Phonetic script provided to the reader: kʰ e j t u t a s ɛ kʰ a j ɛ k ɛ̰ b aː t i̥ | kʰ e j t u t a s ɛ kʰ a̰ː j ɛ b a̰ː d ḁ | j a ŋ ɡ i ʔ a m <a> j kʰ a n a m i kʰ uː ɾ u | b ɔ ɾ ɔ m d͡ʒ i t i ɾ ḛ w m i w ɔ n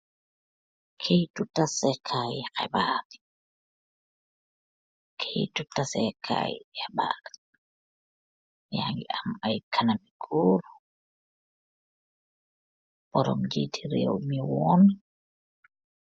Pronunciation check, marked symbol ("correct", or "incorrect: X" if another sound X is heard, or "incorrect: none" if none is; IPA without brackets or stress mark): correct